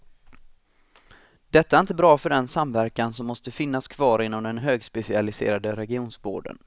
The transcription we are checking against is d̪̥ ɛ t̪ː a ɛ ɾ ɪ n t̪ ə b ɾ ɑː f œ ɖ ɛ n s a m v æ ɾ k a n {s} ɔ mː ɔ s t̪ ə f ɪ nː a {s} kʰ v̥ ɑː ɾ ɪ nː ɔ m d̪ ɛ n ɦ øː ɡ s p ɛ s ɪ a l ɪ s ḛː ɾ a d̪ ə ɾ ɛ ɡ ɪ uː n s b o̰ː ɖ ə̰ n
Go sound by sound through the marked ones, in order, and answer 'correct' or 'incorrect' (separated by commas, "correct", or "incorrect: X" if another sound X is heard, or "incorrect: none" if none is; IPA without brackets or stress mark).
correct, correct